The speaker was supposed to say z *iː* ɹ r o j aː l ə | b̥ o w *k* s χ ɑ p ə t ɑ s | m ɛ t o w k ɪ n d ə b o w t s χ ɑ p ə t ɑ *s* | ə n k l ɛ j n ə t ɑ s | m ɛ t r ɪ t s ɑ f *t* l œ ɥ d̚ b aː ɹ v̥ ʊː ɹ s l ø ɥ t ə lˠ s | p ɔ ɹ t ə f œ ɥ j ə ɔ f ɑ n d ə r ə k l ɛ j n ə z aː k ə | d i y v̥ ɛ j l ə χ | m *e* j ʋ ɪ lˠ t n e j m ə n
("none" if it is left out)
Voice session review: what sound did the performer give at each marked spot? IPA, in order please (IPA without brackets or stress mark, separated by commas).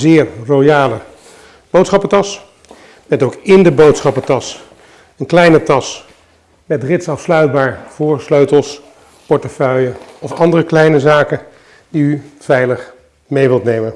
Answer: ɪː, t, s, s, e